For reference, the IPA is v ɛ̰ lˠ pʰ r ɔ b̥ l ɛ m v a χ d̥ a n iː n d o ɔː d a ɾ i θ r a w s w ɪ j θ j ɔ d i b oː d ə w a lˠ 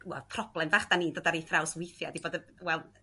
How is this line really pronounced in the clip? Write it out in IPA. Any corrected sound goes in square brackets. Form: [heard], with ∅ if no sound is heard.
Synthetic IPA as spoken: [w] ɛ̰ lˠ pʰ r ɔ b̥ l ɛ m v a χ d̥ a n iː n d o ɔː d a ɾ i θ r a w s w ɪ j θ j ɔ d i b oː d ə w [ɛ] lˠ